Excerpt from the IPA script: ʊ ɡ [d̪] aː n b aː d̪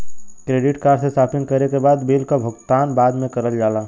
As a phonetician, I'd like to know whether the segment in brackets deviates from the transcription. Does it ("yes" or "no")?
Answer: yes